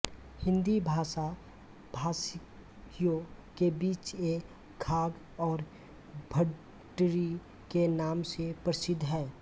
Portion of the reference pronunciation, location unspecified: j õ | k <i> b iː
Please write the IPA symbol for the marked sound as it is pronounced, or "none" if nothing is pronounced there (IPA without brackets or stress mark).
e